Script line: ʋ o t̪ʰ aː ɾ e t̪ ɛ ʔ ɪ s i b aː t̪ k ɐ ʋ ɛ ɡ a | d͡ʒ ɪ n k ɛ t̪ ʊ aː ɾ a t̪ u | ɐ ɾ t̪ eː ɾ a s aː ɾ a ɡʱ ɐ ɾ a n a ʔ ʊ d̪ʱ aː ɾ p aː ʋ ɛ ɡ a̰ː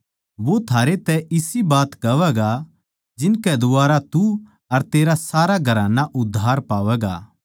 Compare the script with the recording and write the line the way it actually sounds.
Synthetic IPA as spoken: ʋ o t̪ʰ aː ɾ e t̪ ɛ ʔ ɪ s i b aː t̪ k ɐ ʋ ɛ ɡ a | d͡ʒ ɪ n k ɛ d̪ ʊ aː ɾ a t̪ u | ɐ ɾ t̪ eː ɾ a s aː ɾ a ɡʱ ɐ ɾ a n a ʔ ʊ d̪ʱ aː ɾ p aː ʋ ɛ ɡ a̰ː

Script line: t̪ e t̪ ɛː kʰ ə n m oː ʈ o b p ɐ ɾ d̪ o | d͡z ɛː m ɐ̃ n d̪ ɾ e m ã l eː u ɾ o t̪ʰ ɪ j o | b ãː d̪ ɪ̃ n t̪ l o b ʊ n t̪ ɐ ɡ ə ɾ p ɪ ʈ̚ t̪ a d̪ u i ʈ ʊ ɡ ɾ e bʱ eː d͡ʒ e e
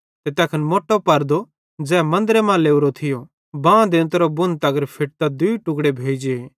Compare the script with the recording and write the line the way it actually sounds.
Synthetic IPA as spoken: t̪ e t̪ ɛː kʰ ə n m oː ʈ o p ɐ ɾ d̪ o | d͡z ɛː m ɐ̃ n d̪ ɾ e m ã l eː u ɾ o t̪ʰ ɪ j o | b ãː d̪ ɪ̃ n t̪ ɾ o b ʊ n t̪ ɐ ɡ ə ɾ pʰ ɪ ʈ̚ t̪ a d̪ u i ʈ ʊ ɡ ɽ e bʱ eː d͡ʒ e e

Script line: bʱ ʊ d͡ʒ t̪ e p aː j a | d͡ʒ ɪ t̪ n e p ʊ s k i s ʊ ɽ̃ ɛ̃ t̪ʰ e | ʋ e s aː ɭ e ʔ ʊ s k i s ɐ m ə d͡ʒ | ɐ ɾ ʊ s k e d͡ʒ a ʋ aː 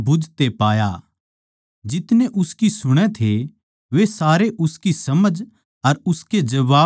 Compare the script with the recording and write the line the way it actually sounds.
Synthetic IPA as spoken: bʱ ʊ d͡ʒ t̪ e p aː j a | d͡ʒ ɪ t̪ n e ʔ ʊ s k i s ʊ ɽ̃ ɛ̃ t̪ʰ e | ʋ e s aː ɾ e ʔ ʊ s k i s ɐ m ə d͡ʒ | ɐ ɾ ʊ s k e d͡ʒ ɐ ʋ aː

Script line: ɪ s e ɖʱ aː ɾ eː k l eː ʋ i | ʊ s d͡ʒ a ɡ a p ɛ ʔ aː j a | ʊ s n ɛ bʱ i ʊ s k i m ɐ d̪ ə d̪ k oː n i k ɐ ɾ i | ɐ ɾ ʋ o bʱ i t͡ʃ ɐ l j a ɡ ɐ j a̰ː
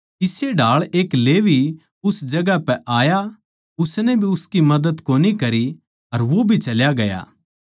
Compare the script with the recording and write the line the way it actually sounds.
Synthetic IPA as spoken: ɪ s e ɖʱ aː ɭ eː k l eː ʋ i | ʊ s d͡ʒ ɐ ɡ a p ɛ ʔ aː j a | ʊ s n ɛ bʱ i ʊ s k i m ɐ d̪ ə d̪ k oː n i k ɐ ɾ i | ɐ ɾ ʋ o bʱ i t͡ʃ ɐ l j a ɡ ɐ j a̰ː

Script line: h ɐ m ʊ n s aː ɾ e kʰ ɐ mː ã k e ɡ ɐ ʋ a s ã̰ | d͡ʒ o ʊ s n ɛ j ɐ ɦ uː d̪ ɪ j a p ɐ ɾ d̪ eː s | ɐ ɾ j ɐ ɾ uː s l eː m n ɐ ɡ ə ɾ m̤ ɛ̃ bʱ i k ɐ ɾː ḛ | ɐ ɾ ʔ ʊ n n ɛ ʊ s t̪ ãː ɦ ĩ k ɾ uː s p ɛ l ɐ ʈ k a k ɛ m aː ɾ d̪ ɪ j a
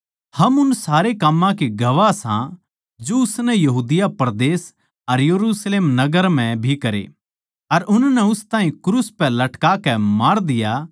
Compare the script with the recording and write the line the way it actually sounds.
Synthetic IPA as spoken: h ɐ m ʊ n s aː ɾ e k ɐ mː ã k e ɡ ɐ ʋ a s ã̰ | d͡ʒ o ʊ s n ɛ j ɐ ɦ uː d̪ ɪ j a p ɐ ɾ d̪ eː s | ɐ ɾ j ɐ ɾ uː s l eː m n ɐ ɡ ə ɾ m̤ ɛ̃ bʱ i k ɐ ɾ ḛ | ɐ ɾ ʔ ʊ n n ɛ ʊ s t̪ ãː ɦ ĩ k ɾ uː s p ɛ l ɐ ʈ k a k ɛ m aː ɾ d̪ ɪ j a

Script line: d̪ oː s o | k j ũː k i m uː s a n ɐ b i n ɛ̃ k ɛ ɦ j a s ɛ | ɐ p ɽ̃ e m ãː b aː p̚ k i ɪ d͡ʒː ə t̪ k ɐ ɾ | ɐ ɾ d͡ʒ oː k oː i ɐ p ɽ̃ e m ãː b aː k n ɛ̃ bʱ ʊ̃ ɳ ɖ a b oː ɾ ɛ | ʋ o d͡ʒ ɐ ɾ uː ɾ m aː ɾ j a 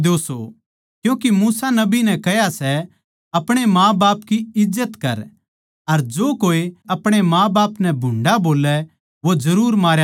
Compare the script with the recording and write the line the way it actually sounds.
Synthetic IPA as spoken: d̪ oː s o | k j ũː k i m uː s a n ɐ b i n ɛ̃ k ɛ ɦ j a s ɛ | ɐ p ɽ̃ e m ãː b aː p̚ k i ɪ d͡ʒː ə t̪ k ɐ ɾ | ɐ ɾ d͡ʒ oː k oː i ɐ p ɽ̃ e m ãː b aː p n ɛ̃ bʱ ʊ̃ ɳ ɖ a b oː l ɛ | ʋ o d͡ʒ ɐ ɾ uː ɾ m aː ɾ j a

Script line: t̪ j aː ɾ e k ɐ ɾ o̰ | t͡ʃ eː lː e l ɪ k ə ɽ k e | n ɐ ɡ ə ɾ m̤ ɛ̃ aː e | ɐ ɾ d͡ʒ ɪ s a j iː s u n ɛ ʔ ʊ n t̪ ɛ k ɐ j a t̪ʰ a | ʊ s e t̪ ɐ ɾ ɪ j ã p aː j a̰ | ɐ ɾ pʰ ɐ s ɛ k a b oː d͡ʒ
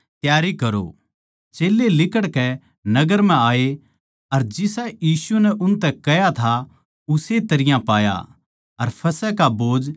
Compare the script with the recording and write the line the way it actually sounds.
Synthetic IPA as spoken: t̪ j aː ɾ i k ɐ ɾ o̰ | t͡ʃ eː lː e l ɪ k ə ɽ k ɛ | n ɐ ɡ ə ɾ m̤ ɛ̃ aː e | ɐ ɾ d͡ʒ ɪ s a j iː s u n ɛ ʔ ʊ n t̪ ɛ k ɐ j a t̪ʰ a | ʊ s e t̪ ɐ ɾ ɪ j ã p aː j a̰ | ɐ ɾ pʰ ɐ s ɛ k a b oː d͡ʒ

